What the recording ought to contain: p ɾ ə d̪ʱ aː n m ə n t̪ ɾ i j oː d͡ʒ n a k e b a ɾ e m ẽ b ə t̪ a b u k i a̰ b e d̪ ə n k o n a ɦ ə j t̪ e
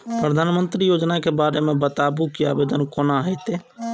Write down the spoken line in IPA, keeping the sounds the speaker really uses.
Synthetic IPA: p ɾ ə d̪ʱ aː n m ə n t̪ ɾ i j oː d͡ʒ n a k e b a ɾ e m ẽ b ə t̪ a b u k i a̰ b e d̪ ə n k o n a ɦ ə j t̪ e

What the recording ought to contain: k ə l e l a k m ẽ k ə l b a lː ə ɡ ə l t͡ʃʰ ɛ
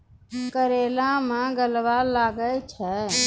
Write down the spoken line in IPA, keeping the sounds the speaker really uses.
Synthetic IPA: k ə ɾ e l a m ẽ ɡ ə l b a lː a ɡ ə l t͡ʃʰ ɛ

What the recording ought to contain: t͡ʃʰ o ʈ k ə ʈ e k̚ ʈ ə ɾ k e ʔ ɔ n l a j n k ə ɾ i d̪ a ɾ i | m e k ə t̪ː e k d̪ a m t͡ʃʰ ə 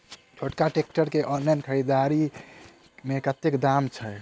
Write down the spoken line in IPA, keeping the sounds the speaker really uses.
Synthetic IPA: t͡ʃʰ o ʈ k a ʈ e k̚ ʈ ə ɾ k e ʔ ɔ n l a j n kʰ ə ɾ i d̪ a ɾ i | m e k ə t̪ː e k d̪ a m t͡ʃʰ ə

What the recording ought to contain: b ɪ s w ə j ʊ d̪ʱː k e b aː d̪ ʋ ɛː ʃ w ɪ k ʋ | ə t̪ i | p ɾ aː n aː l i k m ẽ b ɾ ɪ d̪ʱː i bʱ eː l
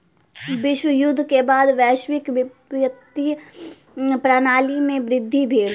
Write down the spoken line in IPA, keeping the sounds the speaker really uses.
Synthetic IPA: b ɪ ʃ w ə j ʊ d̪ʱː k e b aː d̪ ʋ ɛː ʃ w ɪ k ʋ | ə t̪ i | p ɾ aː n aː l i m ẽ b ɾ ɪ d̪ʱː i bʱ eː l

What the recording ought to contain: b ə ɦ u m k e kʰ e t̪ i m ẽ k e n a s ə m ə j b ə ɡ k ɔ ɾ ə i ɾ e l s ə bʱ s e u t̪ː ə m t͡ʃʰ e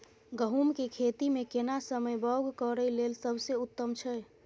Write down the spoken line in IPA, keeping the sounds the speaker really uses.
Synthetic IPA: ɡ ə ɦ u m k e kʰ e t̪ i m e k e n a s ə m ə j b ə ɡ k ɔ ɾ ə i l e l s ə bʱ s e u t̪ː ə m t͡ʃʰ ɛ

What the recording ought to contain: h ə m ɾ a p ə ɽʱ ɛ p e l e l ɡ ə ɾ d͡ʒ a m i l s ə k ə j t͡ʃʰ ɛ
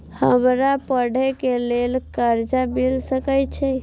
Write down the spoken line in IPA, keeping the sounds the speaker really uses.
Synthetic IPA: h ə m ɾ a p ə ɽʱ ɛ k e l e l k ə ɾ d͡ʒ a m i l s ə k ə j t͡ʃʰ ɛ

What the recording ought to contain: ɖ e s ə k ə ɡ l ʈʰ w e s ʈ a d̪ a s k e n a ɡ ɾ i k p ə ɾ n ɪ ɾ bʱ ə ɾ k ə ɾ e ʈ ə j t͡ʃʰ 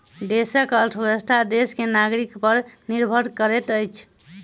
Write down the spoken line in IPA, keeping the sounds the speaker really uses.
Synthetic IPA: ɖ e s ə k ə l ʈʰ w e s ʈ a d̪ e s k e n a ɡ ɾ i k p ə ɾ n i ɾ bʱ ə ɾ k ə ɾ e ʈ ə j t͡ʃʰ

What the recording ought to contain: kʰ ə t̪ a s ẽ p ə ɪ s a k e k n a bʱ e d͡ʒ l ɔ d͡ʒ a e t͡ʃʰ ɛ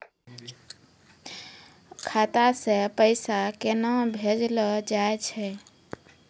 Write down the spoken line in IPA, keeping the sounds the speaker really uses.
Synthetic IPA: kʰ a t̪ a s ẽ p ə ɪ s a k e n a bʱ e d͡ʒ l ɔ d͡ʒ a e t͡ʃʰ ɛ

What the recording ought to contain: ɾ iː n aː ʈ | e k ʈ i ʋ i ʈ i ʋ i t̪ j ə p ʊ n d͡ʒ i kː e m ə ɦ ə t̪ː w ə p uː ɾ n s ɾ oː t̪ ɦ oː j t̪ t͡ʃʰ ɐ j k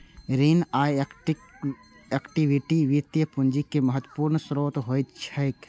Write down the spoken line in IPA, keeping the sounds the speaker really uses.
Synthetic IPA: ɾ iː n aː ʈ | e k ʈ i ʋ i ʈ i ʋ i t̪ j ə p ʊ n d͡ʒ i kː e m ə ɦ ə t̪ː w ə p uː ɾ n s ɾ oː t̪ ɦ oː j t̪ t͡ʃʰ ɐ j k

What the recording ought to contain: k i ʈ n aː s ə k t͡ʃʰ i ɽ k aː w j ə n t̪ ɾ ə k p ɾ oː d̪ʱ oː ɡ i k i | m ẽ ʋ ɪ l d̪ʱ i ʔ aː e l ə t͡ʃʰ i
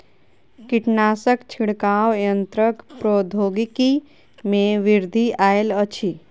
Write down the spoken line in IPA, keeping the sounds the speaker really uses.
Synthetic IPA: k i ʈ n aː s ə k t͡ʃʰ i ɽ k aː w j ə n t̪ ɾ ə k p ɾ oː d̪ʱ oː ɡ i k i | m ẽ ʋ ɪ ɾ d̪ʱ i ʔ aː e l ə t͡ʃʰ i

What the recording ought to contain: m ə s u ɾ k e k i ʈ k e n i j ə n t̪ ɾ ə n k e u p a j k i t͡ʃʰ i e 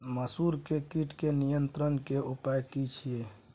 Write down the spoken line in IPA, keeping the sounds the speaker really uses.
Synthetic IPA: m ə s u ɾ k e k i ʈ k e n i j ə n t̪ ɾ ə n k e u p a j k i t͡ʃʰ i e

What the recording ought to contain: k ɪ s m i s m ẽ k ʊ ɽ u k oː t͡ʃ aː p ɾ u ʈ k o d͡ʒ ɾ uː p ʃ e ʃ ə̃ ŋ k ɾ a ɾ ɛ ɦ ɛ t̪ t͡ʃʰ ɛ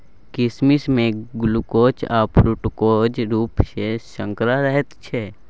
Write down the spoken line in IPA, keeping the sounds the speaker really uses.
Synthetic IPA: k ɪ s m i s m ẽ ɡ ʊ l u k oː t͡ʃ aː p ɾ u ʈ k o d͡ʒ ɾ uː p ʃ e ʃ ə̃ ŋ k ɾ a ɾ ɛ ɦ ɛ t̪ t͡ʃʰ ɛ

